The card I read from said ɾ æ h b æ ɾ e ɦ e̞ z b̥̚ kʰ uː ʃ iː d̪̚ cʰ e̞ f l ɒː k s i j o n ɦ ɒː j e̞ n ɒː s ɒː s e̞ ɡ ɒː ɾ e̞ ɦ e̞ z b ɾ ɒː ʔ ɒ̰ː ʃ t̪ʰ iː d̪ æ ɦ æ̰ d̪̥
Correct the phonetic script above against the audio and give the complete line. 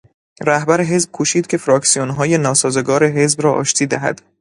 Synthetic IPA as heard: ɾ æ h b æ ɾ e ɦ e̞ z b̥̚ kʰ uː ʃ iː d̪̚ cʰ e̞ f ɾ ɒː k s i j o n ɦ ɒː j e̞ n ɒː s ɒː z e̞ ɡ ɒː ɾ e̞ ɦ e̞ z b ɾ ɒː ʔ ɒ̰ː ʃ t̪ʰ iː d̪ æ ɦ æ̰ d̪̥